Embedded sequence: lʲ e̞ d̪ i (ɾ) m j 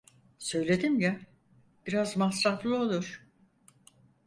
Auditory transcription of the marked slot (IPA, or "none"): none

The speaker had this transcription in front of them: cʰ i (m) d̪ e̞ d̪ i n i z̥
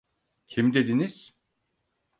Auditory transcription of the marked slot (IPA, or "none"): m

